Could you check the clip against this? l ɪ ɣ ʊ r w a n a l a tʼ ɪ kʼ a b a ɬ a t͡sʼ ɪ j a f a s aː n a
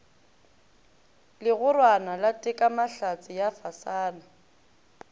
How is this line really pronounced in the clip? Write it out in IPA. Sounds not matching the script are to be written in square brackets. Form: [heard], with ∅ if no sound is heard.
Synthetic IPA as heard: l ɪ ɣ ʊ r w a n a l a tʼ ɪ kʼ a [m] a ɬ a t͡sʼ ɪ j a f a s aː n a